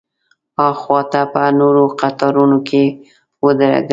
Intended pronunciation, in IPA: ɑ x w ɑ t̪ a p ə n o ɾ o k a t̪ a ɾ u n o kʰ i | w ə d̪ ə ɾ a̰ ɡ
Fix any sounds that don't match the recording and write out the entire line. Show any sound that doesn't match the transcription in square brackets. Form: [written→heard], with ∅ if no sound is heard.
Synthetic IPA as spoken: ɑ x w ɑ t̪ a p ə n o ɾ o [k→q] a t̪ [a→ɑ] ɾ u n o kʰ [i→e] | w ə d̪ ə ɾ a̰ ɡ

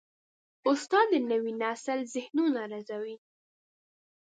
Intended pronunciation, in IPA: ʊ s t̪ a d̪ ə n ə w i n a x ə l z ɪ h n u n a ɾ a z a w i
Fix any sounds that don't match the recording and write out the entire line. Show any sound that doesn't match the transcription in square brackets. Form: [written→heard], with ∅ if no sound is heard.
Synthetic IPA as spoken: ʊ s t̪ [a→ɑ] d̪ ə n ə w i n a [x→s] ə l z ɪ h n u n a ɾ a z a w i

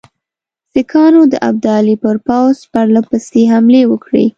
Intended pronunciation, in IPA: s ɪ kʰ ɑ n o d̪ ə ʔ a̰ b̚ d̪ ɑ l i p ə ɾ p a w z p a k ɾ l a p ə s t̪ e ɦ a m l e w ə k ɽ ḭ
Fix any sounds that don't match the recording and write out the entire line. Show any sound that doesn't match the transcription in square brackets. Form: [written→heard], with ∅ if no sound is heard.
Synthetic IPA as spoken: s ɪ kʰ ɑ n o d̪ ə ʔ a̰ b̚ d̪ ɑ l i p ə ɾ p a w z p a [k→∅] ɾ l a p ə s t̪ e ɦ a m l e w ə k ɽ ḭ

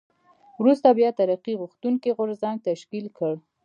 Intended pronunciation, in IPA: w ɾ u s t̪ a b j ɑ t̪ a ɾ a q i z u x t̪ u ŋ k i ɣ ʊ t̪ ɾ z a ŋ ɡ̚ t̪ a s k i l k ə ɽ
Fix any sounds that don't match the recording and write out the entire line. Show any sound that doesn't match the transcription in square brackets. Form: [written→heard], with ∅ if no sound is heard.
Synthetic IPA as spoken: w ɾ u s t̪ a b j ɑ t̪ a ɾ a q i [z→ɣ] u x t̪ u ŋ k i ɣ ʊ [t̪→∅] ɾ z a ŋ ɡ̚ t̪ a [s→ʃ] k i l k ə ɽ

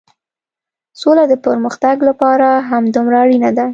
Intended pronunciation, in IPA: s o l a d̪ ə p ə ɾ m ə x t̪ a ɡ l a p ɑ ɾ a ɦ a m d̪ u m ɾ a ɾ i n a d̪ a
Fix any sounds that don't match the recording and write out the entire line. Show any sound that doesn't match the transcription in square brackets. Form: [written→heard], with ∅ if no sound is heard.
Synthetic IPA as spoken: s o l a d̪ ə p ə ɾ m ə x t̪ a ɡ l a p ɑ ɾ a ɦ a m d̪ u m ɾ a [ɾ→ɽ] i n a d̪ a

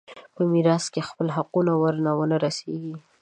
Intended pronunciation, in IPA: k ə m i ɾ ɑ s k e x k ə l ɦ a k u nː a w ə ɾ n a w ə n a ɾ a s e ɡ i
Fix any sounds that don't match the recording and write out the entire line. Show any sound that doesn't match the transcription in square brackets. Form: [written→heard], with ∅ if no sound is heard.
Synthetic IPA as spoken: [k→p] ə m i ɾ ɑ s k e x [k→p] ə l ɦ a [k→q] u [nː→n] a w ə ɾ n a w ə n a ɾ a s e ɡ i

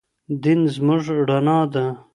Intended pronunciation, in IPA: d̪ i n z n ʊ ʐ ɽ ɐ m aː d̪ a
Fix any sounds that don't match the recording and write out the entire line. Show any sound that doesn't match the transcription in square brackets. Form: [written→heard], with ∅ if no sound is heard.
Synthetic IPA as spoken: d̪ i n z [n→m] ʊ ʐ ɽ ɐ [m→n] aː d̪ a

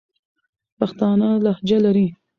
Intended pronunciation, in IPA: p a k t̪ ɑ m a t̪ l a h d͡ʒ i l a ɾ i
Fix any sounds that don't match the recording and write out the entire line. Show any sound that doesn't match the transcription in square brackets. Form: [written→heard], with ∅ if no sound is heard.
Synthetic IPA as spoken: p a [k→x] t̪ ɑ [m→n] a [t̪→∅] l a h d͡ʒ [i→a] l a ɾ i

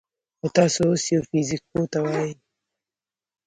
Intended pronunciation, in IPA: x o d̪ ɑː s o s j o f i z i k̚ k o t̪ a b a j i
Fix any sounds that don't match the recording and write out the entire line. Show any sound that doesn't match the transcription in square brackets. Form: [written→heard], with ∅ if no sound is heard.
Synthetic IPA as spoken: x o [d̪→t̪] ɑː s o s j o f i z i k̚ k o t̪ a [b→w] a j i

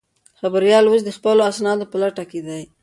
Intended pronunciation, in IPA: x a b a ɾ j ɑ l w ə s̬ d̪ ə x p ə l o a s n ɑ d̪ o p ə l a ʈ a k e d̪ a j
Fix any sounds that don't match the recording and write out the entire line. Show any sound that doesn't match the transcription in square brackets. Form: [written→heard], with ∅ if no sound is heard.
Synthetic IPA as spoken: x a b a ɾ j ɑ l w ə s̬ d̪ ə x p ə l o a s n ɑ d̪ o p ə l a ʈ a k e d̪ a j

